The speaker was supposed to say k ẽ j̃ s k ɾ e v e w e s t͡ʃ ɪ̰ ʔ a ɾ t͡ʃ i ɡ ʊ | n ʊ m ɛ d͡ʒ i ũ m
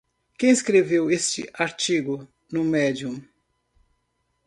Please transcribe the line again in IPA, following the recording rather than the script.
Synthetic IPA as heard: k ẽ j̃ s k ɾ e v e w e s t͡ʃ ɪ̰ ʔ a ɾ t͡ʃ i ɡ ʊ | n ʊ m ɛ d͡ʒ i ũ m